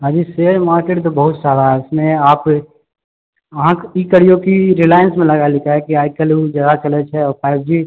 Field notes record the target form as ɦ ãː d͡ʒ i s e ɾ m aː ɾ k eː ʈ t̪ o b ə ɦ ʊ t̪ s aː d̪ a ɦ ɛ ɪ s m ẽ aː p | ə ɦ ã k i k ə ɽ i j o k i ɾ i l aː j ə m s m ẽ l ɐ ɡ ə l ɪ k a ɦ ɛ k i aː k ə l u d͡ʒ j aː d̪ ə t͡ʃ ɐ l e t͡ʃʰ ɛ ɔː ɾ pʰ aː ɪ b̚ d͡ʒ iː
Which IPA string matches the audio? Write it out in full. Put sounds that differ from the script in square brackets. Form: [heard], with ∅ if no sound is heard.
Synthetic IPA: ɦ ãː d͡ʒ i s e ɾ m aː ɾ k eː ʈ t̪ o b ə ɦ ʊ t̪ s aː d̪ a ɦ ɛ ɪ s m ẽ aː p | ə ɦ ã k i k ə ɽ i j o k i ɾ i l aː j ə [n] s m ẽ l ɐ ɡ [a] l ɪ k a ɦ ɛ k i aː k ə l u d͡ʒ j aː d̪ [a] t͡ʃ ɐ l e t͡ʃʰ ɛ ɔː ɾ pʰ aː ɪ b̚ d͡ʒ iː